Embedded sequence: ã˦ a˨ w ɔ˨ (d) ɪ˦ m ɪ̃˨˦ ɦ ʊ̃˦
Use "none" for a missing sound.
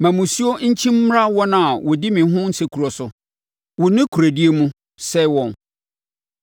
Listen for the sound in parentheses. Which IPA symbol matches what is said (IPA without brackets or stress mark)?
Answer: d